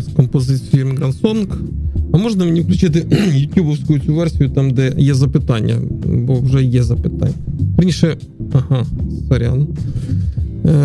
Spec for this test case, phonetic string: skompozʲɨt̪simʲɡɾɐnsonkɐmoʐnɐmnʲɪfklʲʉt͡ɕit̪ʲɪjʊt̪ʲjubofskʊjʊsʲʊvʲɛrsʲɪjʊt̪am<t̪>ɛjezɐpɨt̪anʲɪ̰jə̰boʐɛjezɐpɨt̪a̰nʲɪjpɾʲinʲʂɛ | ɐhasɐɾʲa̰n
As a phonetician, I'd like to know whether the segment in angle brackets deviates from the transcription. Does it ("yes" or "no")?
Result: yes